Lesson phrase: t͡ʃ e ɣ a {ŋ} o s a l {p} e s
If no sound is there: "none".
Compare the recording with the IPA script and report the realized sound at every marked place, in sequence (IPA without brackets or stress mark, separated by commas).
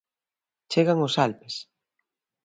ŋ, p